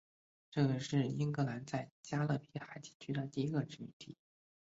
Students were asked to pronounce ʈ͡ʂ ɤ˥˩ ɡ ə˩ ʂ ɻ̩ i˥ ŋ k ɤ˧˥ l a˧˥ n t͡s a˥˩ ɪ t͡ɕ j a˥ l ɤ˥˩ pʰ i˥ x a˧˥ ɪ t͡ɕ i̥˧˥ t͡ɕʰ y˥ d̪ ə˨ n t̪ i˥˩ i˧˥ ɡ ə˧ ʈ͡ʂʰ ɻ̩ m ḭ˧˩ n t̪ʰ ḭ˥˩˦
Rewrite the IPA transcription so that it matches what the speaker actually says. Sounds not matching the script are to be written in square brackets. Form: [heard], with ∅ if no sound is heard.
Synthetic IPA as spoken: ʈ͡ʂ ɤ˥˩ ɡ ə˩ ʂ ɻ̩ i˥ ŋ k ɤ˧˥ l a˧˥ n t͡s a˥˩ ɪ t͡ɕ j a˥ l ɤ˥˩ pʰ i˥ x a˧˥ ɪ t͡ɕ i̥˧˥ t͡ɕʰ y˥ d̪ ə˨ [∅] t̪ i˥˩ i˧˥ ɡ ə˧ [ʈ͡ʂ] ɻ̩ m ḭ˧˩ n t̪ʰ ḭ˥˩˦